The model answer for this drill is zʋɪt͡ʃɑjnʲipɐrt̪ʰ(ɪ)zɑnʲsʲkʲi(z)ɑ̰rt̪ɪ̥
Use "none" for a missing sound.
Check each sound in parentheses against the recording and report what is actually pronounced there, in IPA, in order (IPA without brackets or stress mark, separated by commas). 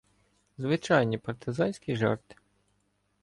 ɪ, ʒ